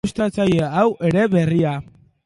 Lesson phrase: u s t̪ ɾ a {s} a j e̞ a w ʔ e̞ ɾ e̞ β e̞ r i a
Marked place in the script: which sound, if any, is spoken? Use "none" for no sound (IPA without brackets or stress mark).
t͡s